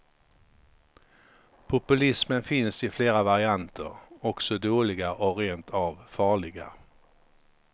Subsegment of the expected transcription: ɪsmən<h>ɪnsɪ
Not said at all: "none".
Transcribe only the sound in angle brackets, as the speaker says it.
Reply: f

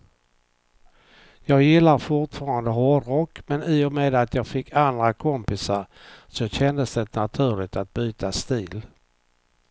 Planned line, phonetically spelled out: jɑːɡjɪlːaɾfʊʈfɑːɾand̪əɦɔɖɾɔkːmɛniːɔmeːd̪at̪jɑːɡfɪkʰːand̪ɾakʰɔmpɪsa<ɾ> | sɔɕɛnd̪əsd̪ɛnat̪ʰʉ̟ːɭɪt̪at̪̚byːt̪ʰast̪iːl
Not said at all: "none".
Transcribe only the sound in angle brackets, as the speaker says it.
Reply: ɾ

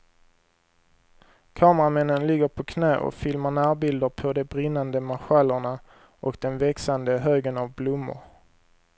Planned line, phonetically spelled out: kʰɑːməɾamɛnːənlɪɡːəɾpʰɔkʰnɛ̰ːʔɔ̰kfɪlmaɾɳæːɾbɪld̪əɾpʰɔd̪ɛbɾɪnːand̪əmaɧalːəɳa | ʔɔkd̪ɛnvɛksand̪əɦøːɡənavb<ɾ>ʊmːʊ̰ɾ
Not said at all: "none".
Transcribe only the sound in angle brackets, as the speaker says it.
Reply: l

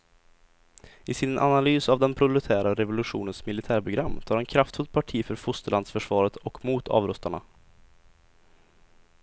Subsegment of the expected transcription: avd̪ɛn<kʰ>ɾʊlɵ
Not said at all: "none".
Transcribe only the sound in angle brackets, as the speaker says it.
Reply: pʰ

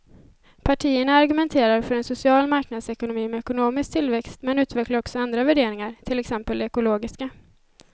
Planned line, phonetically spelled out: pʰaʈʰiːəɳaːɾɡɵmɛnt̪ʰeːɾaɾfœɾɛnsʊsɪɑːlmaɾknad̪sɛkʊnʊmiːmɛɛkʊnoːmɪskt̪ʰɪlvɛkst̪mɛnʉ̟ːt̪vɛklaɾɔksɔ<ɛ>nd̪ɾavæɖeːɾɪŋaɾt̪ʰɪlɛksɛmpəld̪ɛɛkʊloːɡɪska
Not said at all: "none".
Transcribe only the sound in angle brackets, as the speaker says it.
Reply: a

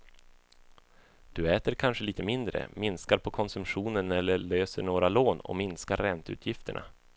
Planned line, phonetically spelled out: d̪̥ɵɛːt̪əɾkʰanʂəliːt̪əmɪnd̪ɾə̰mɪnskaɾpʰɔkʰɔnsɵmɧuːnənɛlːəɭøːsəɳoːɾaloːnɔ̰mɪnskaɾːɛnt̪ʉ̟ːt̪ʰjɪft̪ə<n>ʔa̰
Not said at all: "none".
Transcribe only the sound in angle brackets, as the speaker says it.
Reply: ɳ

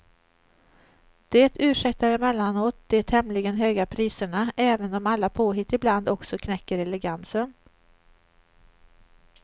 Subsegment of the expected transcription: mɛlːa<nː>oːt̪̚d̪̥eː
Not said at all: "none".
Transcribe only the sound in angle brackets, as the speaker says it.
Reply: n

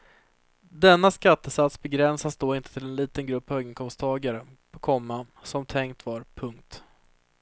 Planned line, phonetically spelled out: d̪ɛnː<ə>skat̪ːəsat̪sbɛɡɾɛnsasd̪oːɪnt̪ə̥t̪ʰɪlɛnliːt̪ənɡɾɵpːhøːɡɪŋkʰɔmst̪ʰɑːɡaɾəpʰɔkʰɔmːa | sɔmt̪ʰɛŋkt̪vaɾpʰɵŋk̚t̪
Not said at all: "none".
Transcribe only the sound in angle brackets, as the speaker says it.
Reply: a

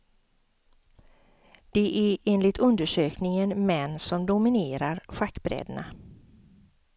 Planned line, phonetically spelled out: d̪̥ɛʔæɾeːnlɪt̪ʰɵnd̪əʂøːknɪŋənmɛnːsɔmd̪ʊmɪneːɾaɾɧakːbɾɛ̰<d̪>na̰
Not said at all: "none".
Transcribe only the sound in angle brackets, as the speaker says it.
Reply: d̪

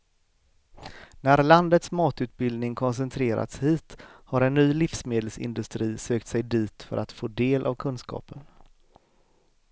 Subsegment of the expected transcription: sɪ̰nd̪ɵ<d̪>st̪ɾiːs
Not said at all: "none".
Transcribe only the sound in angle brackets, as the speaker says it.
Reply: none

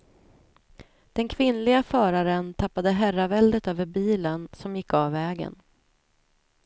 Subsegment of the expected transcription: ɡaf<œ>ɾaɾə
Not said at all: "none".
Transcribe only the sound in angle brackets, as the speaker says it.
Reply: œː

